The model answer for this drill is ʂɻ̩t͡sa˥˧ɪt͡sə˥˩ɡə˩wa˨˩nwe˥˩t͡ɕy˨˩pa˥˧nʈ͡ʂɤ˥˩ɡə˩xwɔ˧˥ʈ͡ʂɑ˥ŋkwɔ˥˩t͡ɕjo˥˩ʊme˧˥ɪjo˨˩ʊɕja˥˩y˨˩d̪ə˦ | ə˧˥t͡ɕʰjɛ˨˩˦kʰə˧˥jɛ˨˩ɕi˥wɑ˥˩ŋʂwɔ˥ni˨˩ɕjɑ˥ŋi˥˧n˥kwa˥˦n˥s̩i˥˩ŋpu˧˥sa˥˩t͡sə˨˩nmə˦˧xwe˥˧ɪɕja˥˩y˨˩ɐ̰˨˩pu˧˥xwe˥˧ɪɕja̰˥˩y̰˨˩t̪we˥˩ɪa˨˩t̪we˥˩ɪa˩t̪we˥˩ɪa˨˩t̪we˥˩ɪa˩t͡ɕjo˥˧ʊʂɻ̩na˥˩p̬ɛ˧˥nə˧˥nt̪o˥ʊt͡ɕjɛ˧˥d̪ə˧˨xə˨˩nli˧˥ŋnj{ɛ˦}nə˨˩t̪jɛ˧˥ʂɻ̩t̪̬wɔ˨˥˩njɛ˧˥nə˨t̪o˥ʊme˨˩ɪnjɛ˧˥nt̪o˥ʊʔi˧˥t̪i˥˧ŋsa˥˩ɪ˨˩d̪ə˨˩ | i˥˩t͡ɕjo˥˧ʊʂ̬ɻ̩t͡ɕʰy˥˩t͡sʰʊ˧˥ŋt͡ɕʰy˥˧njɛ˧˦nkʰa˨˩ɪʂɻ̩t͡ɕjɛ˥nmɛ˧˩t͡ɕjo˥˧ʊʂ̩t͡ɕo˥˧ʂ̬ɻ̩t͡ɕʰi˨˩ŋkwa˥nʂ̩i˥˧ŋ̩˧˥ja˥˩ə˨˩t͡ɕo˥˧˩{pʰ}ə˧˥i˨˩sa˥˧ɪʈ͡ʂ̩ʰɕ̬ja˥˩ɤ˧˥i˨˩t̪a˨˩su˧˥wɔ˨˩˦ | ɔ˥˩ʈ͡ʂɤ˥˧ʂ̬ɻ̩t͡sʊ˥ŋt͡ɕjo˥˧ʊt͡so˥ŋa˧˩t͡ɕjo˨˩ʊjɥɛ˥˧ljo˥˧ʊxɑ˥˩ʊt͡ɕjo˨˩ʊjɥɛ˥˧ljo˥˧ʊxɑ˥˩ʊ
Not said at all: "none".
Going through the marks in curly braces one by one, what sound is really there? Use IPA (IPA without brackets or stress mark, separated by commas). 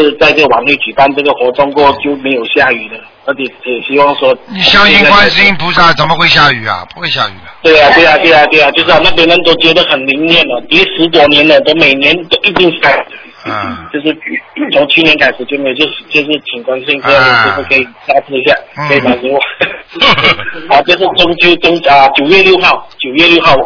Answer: ɛ˥˩, kʰ